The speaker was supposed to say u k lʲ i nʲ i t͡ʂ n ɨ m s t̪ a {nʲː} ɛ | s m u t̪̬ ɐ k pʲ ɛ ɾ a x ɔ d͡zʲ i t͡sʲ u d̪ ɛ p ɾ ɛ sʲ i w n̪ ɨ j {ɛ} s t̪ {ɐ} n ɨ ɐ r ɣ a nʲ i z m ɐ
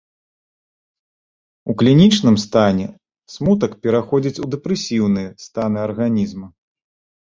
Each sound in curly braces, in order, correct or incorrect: incorrect, correct, incorrect

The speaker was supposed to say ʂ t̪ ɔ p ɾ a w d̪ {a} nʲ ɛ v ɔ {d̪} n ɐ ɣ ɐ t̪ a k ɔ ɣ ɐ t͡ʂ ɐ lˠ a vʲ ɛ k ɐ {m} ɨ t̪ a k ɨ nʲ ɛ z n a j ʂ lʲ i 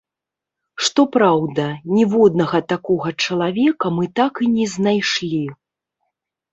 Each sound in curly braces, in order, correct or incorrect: incorrect, correct, correct

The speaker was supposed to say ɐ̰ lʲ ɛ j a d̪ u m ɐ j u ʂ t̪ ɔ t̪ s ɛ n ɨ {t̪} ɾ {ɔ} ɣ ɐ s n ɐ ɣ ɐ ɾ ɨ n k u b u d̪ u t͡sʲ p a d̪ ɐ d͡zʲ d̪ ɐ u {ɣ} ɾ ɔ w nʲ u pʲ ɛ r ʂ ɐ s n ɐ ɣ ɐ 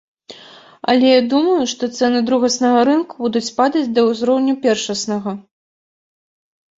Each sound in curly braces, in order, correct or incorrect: incorrect, incorrect, incorrect

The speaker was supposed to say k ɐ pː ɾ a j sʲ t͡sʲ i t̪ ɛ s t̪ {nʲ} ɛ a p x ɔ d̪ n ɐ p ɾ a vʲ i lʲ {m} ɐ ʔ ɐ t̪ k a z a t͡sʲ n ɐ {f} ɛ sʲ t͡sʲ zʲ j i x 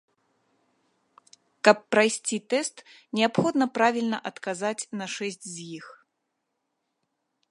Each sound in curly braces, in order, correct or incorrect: correct, incorrect, incorrect

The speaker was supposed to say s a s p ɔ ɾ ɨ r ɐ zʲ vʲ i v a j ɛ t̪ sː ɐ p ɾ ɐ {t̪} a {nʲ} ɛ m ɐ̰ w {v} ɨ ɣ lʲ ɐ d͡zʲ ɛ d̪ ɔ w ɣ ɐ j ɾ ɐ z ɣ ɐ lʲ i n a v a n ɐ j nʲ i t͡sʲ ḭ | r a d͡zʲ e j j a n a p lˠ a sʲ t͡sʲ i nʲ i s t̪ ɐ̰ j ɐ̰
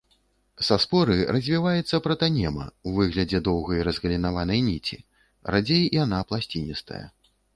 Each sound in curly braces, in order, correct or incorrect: correct, correct, correct

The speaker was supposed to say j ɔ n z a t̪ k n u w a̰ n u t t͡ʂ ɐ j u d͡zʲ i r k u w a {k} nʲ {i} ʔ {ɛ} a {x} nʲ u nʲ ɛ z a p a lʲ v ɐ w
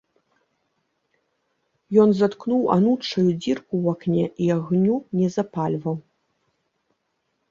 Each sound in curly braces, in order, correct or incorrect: correct, incorrect, incorrect, incorrect

